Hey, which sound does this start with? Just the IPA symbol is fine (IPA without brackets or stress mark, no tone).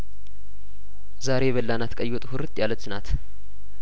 z